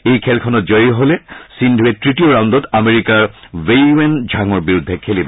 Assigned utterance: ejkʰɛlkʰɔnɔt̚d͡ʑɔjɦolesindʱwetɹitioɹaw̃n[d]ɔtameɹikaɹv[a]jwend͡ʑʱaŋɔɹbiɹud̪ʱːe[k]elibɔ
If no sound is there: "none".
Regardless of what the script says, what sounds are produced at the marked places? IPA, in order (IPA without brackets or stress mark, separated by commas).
d, e, kʰ